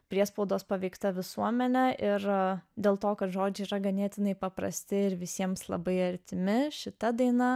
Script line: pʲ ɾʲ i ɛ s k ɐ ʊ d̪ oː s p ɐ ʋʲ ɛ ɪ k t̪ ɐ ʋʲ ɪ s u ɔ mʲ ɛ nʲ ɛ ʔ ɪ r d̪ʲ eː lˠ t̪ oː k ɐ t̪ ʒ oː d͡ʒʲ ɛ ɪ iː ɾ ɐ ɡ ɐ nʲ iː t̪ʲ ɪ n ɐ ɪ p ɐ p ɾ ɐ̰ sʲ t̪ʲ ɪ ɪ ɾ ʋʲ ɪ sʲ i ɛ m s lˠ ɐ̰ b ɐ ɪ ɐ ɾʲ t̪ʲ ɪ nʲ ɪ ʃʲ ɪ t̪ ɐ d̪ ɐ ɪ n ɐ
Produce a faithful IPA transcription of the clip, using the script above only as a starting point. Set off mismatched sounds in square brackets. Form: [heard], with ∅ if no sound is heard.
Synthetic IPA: pʲ ɾʲ i ɛ s [p] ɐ ʊ d̪ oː s p ɐ ʋʲ ɛ ɪ k t̪ ɐ ʋʲ ɪ s u ɔ mʲ ɛ nʲ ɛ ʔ ɪ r d̪ʲ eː lˠ t̪ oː k ɐ t̪ ʒ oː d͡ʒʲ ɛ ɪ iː ɾ ɐ ɡ ɐ nʲ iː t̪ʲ ɪ n ɐ ɪ p ɐ p ɾ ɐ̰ sʲ t̪ʲ ɪ ɪ ɾ ʋʲ ɪ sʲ i ɛ m s lˠ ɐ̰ b ɐ ɪ ɐ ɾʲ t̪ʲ ɪ [mʲ] ɪ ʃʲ ɪ t̪ ɐ d̪ ɐ ɪ n ɐ

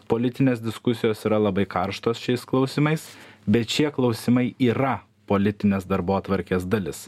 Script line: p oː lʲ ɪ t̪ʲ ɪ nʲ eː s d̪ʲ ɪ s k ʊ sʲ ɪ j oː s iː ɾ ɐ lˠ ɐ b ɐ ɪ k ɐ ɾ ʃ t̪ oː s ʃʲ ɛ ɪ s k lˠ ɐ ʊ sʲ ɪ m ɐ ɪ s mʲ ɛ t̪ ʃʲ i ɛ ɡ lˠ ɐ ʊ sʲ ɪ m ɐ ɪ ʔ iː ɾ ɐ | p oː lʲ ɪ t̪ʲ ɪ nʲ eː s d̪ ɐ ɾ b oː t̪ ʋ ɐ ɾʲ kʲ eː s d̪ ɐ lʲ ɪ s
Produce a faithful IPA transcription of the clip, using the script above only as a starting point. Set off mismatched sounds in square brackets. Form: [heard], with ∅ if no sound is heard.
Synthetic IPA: p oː lʲ ɪ t̪ʲ ɪ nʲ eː s d̪ʲ ɪ s k ʊ sʲ ɪ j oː s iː ɾ ɐ lˠ ɐ b ɐ ɪ k ɐ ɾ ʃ t̪ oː s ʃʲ ɛ ɪ s k lˠ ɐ ʊ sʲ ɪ m ɐ ɪ s [bʲ] ɛ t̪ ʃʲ i ɛ [k] lˠ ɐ ʊ sʲ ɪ m ɐ ɪ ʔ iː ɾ ɐ | p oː lʲ ɪ t̪ʲ ɪ nʲ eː s d̪ ɐ ɾ b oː t̪ ʋ ɐ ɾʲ kʲ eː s d̪ ɐ lʲ ɪ s

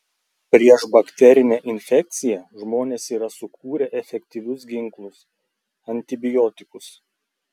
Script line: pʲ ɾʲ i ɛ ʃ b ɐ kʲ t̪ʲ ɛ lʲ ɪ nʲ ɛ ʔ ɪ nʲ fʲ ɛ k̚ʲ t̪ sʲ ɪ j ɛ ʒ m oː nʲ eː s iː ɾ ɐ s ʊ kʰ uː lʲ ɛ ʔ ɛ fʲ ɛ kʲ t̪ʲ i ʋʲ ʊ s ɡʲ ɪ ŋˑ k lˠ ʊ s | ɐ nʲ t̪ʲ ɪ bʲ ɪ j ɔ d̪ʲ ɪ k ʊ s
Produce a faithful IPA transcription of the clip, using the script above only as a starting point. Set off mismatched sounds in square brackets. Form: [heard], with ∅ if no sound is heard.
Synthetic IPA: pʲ ɾʲ i ɛ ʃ b ɐ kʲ t̪ʲ ɛ [ɾʲ] ɪ nʲ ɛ ʔ ɪ nʲ fʲ ɛ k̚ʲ t̪ sʲ ɪ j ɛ ʒ m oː nʲ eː s iː ɾ ɐ s ʊ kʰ uː [ɾʲ] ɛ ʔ ɛ fʲ ɛ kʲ t̪ʲ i ʋʲ ʊ s ɡʲ ɪ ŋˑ k lˠ ʊ s | ɐ nʲ t̪ʲ ɪ bʲ ɪ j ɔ [t̪ʲ] ɪ k ʊ s

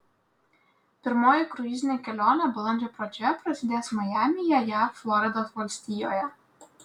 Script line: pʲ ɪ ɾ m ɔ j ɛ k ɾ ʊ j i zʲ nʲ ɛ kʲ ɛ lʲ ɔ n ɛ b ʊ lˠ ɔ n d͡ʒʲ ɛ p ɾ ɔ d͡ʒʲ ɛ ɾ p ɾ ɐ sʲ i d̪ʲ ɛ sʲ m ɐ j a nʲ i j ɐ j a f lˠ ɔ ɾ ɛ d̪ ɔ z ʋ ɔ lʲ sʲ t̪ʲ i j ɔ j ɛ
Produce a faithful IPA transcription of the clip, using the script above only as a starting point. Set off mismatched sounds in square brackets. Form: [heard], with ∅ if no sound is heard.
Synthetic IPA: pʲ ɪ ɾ m ɔ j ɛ k ɾ ʊ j i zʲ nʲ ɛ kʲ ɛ lʲ ɔ n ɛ b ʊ lˠ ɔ n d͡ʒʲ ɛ p ɾ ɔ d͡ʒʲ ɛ [∅] p ɾ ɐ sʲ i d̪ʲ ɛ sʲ m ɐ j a [mʲ] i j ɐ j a f lˠ ɔ ɾ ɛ d̪ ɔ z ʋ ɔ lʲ sʲ t̪ʲ i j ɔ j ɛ

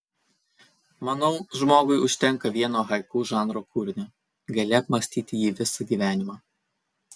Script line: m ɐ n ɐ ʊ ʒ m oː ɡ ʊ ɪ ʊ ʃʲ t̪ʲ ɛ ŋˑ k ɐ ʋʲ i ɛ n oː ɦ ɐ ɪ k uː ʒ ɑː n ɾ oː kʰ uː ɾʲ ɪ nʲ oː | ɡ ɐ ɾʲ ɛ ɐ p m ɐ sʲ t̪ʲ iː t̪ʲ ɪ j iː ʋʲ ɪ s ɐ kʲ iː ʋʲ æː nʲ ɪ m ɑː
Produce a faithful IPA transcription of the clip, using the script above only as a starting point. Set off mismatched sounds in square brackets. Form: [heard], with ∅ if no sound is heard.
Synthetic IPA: m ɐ n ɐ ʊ ʒ m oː ɡ ʊ ɪ ʊ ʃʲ t̪ʲ ɛ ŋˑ k ɐ ʋʲ i ɛ n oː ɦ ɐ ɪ k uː ʒ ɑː n ɾ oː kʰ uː ɾʲ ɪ nʲ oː | ɡ ɐ [lʲ] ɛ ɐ p m ɐ sʲ t̪ʲ iː t̪ʲ ɪ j iː ʋʲ ɪ s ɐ [ɡʲ] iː ʋʲ æː nʲ ɪ m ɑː

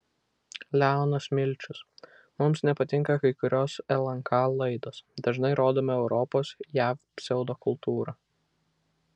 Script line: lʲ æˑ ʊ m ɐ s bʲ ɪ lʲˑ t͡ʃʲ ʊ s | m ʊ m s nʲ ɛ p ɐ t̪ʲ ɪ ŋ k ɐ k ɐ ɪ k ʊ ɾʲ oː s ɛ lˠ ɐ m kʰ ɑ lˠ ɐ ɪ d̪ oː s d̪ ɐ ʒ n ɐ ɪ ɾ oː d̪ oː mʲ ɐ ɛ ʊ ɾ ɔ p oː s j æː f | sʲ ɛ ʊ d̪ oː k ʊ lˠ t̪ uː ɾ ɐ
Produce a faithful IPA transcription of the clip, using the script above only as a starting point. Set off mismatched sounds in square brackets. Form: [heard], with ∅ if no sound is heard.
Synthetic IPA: lʲ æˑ ʊ [n] ɐ s [mʲ] ɪ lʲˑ t͡ʃʲ ʊ s | m ʊ m s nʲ ɛ p ɐ t̪ʲ ɪ ŋ k ɐ k ɐ ɪ k ʊ ɾʲ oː s ɛ lˠ ɐ [ŋ] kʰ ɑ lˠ ɐ ɪ d̪ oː s d̪ ɐ ʒ n ɐ ɪ ɾ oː d̪ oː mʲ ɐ ɛ ʊ ɾ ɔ p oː s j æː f | sʲ ɛ ʊ d̪ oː k ʊ lˠ t̪ uː ɾ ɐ

